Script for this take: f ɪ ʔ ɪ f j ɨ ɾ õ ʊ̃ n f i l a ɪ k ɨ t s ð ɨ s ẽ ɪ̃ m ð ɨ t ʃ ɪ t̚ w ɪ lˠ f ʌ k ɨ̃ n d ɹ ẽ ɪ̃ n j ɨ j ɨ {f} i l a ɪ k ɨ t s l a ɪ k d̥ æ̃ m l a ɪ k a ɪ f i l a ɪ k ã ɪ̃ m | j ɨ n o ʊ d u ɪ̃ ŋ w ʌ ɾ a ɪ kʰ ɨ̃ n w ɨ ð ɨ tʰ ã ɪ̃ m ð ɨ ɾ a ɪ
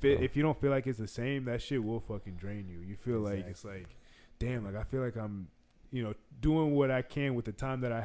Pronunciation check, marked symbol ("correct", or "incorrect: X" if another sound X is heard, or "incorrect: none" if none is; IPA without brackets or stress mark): correct